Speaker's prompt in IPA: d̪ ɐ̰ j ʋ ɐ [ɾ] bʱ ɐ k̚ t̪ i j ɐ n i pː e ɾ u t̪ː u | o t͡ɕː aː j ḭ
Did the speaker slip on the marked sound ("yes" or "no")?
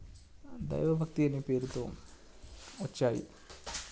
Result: yes